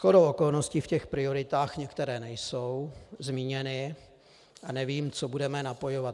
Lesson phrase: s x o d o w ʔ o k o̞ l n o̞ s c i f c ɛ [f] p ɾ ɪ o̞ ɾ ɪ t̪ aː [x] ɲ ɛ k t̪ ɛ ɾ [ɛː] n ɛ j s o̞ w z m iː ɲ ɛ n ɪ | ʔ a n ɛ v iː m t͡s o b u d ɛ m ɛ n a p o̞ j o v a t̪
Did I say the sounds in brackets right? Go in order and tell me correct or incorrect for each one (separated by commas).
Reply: incorrect, correct, correct